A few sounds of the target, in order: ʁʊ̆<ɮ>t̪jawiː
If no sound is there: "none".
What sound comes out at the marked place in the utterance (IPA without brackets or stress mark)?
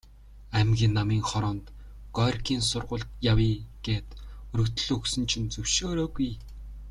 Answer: ɮ